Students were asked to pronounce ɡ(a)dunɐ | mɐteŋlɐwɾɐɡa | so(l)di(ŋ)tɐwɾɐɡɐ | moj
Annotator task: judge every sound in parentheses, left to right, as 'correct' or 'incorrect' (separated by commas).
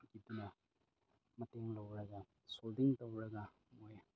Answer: incorrect, correct, correct